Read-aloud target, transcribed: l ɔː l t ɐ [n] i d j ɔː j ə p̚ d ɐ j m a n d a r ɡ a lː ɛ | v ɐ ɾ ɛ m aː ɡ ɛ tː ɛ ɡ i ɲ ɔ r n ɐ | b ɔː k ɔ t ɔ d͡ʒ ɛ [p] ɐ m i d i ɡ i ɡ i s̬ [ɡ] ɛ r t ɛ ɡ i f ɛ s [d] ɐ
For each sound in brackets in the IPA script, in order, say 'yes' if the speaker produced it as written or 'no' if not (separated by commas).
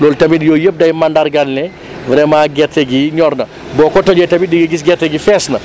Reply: no, no, yes, no